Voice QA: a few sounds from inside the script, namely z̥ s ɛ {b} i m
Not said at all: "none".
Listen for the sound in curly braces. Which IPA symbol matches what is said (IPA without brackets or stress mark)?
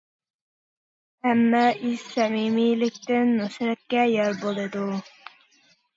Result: m